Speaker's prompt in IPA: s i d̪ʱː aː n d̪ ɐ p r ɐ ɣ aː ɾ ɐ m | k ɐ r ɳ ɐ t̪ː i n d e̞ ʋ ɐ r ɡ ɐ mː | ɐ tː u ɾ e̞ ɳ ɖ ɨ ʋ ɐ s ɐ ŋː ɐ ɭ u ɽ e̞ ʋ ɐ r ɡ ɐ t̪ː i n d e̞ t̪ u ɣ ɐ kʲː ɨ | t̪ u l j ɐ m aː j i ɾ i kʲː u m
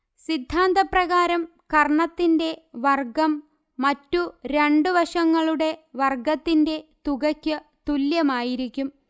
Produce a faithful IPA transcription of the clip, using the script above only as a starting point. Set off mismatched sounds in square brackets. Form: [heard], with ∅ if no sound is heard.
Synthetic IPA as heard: s i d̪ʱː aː n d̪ ɐ p r ɐ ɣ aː ɾ ɐ m | k ɐ r ɳ ɐ t̪ː i n d e̞ ʋ ɐ r ɡ ɐ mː | ɐ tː u ɾ e̞ ɳ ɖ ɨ ʋ ɐ [ʂ] ɐ ŋː ɐ ɭ u ɽ e̞ ʋ ɐ r ɡ ɐ t̪ː i n d e̞ t̪ u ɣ ɐ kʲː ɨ | t̪ u l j ɐ m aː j i ɾ i kʲː u m